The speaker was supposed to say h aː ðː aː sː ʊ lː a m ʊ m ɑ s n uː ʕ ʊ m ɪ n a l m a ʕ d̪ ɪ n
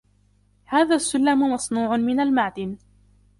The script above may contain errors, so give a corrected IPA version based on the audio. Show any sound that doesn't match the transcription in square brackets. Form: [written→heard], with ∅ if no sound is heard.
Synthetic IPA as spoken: h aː [ðː→ð] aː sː ʊ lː a m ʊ m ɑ s n uː ʕ ʊ m ɪ n a l m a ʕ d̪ ɪ n

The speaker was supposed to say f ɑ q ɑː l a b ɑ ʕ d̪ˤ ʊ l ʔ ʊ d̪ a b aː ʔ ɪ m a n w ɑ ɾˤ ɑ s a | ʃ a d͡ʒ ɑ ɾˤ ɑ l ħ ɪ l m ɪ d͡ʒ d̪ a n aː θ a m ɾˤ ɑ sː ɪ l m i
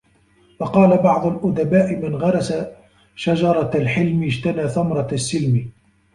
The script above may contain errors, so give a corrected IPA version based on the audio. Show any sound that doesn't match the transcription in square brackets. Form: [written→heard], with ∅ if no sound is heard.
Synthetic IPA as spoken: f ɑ q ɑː l a b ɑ ʕ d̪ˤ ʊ l ʔ ʊ d̪ a b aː ʔ ɪ m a n [w→ɣ] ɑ ɾˤ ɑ s a | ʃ a d͡ʒ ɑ ɾˤ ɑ l ħ ɪ l m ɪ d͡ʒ [d̪→t̪] a n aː θ a m ɾˤ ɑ sː ɪ l m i

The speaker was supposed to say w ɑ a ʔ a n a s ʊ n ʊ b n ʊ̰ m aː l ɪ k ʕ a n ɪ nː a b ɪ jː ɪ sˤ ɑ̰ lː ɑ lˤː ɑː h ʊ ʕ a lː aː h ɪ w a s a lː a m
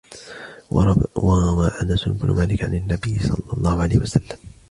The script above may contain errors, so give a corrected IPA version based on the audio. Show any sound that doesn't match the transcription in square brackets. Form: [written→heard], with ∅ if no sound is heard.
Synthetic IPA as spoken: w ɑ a ʔ a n a s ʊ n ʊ b n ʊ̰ m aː l ɪ k ʕ a n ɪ nː a b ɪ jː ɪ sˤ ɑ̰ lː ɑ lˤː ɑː h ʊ ʕ a [lː→l] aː h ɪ w a s a lː a m

